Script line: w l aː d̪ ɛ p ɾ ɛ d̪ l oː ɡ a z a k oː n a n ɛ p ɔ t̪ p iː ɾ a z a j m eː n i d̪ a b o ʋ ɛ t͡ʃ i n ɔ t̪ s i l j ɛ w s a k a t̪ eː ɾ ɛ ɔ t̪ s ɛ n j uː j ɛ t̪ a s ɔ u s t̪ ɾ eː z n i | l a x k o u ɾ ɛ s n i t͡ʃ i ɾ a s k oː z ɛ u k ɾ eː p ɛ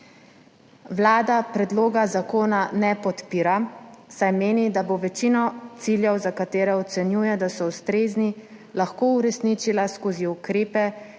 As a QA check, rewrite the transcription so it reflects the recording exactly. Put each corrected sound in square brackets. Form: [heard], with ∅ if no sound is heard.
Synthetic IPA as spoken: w l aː d̪ [a] p ɾ ɛ d̪ l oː ɡ a z a k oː n a n ɛ p ɔ t̪ p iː ɾ a [s] a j m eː n i d̪ a b o ʋ ɛ t͡ʃ i n ɔ t̪ s i l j ɛ w [z] a k a t̪ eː ɾ ɛ ɔ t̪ s ɛ n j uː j ɛ [d̪] a s ɔ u s t̪ ɾ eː z n i | l a x k o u ɾ ɛ s n i t͡ʃ i [l] a s k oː z [i] u k ɾ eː p ɛ